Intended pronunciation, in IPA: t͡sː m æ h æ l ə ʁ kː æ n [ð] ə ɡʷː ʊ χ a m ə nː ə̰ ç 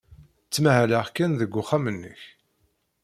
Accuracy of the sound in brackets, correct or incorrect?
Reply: correct